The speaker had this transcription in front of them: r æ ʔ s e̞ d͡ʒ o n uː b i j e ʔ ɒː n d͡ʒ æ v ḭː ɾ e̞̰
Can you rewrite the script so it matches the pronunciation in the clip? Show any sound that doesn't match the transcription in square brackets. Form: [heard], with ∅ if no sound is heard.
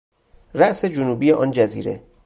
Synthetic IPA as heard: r æ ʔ s e̞ d͡ʒ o n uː b i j e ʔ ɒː n d͡ʒ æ [z] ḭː ɾ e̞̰